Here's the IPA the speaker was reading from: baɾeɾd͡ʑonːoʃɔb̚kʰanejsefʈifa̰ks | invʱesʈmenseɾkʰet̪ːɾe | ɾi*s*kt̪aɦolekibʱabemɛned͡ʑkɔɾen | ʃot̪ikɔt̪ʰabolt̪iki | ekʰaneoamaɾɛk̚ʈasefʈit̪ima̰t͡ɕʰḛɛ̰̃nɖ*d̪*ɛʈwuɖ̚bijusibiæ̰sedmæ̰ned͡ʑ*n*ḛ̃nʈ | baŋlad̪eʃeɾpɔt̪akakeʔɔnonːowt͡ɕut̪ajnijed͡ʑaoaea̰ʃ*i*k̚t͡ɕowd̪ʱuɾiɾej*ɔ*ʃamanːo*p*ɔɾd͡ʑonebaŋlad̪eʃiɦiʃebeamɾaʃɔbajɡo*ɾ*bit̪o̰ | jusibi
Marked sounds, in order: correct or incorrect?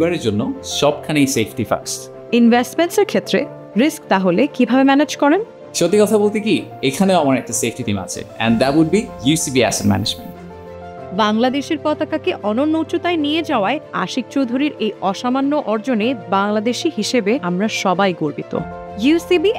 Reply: correct, correct, incorrect, correct, correct, incorrect, correct

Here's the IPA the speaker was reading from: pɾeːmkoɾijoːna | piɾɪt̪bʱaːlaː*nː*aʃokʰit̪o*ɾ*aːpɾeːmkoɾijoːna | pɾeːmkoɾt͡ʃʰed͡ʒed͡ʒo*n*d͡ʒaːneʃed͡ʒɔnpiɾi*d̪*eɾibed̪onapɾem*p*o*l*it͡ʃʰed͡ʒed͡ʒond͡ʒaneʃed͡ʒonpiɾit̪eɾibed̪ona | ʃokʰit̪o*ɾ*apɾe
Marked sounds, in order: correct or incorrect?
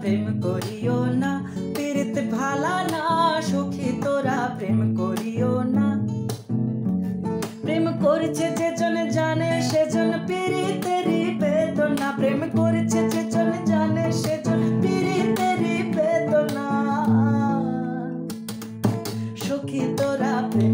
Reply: incorrect, correct, correct, incorrect, incorrect, incorrect, correct

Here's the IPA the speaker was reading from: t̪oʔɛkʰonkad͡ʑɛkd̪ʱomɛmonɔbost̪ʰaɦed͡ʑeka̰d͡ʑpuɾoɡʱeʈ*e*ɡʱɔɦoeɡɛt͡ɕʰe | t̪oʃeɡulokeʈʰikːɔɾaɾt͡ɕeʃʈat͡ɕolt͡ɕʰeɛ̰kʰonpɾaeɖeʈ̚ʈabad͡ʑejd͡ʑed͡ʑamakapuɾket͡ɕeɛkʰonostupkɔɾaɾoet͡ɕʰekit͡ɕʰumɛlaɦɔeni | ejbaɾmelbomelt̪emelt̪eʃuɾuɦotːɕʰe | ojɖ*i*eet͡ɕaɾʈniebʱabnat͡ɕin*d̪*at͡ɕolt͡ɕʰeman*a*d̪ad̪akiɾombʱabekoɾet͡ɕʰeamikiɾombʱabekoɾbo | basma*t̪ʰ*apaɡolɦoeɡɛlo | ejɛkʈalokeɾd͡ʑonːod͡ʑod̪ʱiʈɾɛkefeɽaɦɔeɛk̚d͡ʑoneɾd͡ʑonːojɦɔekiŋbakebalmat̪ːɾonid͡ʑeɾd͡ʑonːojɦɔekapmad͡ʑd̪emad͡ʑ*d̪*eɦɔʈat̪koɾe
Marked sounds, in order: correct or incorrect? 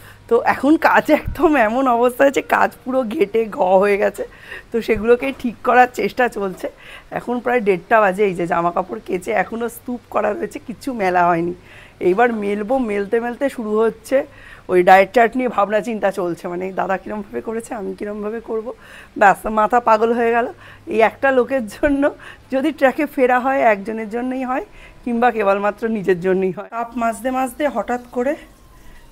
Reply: correct, incorrect, incorrect, incorrect, correct, correct

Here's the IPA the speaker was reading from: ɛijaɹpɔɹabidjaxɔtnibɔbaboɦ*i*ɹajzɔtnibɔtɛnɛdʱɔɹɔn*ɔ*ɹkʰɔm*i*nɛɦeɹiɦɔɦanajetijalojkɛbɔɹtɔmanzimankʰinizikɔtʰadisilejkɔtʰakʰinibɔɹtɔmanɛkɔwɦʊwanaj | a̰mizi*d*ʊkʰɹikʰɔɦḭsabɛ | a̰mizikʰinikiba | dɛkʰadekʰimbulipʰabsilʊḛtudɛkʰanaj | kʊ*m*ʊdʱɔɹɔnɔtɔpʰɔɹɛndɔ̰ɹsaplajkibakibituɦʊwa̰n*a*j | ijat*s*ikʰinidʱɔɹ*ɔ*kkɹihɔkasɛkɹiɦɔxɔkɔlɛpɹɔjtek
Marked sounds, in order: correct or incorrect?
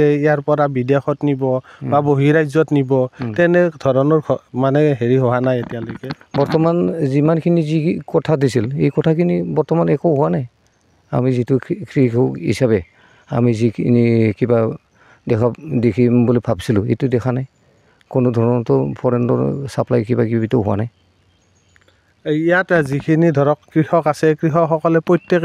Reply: correct, correct, incorrect, incorrect, incorrect, correct, incorrect, correct

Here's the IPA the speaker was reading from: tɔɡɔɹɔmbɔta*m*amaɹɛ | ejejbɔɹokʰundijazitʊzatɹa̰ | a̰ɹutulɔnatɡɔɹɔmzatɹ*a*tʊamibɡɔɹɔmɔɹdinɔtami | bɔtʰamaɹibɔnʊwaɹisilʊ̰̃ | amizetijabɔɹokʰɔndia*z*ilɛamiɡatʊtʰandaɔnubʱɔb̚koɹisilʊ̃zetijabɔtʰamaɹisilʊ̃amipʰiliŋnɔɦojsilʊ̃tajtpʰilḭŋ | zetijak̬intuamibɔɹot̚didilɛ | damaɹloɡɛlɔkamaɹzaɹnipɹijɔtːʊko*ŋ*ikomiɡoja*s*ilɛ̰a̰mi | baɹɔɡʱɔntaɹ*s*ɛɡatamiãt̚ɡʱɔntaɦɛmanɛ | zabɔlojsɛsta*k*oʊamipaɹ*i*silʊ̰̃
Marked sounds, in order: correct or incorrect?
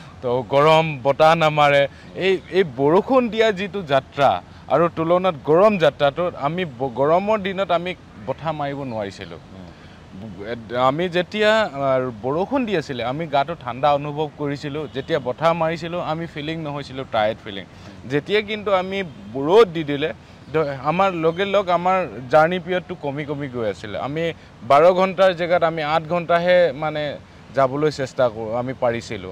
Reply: incorrect, correct, incorrect, incorrect, correct, incorrect, correct, correct

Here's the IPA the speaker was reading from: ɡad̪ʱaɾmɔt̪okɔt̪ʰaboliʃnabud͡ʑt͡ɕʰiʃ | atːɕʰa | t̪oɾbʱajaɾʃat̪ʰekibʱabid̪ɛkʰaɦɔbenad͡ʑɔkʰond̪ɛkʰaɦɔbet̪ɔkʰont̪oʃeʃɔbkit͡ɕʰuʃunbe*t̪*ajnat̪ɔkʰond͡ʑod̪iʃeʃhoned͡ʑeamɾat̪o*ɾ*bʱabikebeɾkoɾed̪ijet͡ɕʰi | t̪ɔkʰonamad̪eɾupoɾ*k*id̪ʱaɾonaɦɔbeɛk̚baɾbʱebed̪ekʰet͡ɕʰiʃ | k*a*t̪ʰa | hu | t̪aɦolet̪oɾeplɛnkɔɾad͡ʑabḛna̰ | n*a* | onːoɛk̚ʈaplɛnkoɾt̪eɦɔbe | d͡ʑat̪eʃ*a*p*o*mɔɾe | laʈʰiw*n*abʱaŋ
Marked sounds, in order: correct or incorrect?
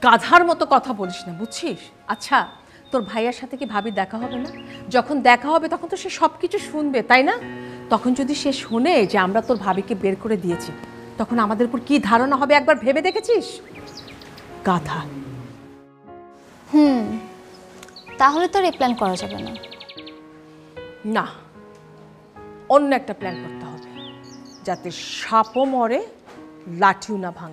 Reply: correct, correct, correct, correct, correct, correct, correct, correct

